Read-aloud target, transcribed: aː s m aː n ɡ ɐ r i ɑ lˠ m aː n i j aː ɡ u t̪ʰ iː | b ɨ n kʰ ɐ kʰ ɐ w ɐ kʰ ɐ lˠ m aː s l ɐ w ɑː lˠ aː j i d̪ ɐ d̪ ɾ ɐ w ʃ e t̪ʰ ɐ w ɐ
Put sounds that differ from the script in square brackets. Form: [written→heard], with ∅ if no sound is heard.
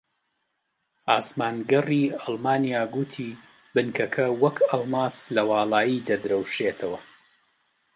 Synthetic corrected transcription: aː s m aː n ɡ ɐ r i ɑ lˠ m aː n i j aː ɡ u t̪ʰ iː | b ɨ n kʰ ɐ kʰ ɐ w ɐ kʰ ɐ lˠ m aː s l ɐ w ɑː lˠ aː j i d̪ ɐ d̪ ɾ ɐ w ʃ e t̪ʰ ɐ w ɐ